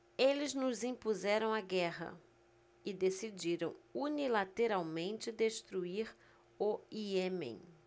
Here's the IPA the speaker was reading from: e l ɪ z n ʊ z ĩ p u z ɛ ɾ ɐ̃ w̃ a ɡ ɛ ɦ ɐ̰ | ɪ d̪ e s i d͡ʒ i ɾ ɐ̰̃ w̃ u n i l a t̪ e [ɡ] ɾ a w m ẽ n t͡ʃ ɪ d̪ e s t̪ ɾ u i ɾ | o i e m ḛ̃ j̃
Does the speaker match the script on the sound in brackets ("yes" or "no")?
no